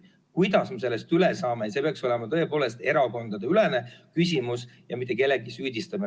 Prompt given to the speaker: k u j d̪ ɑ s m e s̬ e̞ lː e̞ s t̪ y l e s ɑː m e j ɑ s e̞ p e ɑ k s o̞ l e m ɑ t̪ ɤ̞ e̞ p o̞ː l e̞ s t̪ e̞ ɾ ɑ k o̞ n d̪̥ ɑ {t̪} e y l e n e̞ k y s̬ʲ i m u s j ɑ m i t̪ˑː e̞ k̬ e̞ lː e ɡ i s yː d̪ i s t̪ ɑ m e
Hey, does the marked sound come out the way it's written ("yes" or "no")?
no